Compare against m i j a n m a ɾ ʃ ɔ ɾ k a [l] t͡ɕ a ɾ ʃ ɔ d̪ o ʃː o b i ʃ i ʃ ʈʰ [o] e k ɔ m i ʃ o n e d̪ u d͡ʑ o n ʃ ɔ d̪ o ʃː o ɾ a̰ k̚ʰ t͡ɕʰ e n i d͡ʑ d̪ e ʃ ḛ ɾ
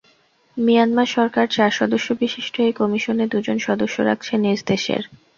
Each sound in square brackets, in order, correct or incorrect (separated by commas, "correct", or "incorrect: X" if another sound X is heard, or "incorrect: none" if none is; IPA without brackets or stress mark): incorrect: ɾ, correct